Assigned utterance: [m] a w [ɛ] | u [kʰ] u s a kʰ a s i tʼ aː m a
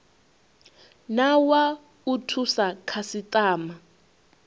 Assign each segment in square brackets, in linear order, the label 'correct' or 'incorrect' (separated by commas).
incorrect, incorrect, incorrect